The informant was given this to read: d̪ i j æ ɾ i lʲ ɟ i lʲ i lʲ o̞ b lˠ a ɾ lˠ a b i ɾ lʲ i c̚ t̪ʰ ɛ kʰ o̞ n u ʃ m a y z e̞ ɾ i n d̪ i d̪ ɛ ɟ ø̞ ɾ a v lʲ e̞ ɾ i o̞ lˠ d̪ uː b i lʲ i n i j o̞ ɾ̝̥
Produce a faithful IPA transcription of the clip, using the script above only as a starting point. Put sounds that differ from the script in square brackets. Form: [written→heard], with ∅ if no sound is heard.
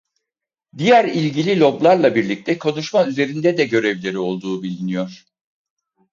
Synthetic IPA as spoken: d̪ i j æ ɾ i lʲ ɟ i lʲ i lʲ o̞ b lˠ a ɾ lˠ a b i ɾ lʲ i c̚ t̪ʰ ɛ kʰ o̞ n u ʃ m a y z e̞ ɾ i n d̪ [i→ɛ] d̪ ɛ ɟ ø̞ ɾ [a→ɛ] v lʲ e̞ ɾ i o̞ lˠ d̪ uː b i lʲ i n i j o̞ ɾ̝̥